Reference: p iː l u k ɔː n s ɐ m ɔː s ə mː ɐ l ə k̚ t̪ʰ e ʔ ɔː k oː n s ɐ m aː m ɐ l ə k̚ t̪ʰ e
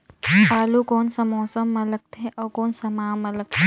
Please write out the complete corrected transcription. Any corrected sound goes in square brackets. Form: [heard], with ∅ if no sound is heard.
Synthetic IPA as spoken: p [aː] l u k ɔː n s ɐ m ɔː s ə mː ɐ l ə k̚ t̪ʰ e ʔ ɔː k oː n s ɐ m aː m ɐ l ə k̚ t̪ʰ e